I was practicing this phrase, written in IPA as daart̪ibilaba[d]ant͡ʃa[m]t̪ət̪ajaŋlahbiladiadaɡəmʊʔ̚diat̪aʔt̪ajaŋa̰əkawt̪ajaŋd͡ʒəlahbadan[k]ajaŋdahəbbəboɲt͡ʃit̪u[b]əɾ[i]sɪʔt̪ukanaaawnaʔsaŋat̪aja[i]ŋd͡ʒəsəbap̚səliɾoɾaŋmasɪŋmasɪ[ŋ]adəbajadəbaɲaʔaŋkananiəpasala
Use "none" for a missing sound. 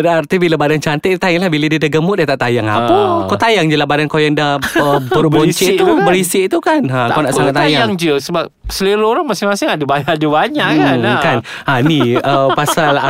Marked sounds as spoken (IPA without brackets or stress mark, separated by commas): d, n, k, b, i, a, ŋ